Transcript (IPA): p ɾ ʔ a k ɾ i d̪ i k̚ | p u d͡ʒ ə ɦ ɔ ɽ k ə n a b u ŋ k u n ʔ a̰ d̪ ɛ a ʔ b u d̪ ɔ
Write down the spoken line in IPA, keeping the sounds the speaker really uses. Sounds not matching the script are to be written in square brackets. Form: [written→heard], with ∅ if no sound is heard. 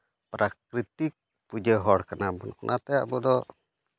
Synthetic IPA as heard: p ɾ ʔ a k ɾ i [d̪→t̪] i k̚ | p u d͡ʒ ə ɦ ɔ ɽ k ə n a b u [ŋ→n] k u n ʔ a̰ [d̪→t̪] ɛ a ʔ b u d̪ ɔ